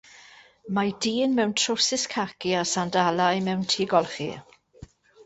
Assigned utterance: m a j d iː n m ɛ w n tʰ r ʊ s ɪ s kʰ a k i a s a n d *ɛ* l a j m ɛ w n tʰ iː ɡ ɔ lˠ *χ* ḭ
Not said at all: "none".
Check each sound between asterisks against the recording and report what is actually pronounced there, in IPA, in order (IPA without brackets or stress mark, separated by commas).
a, χ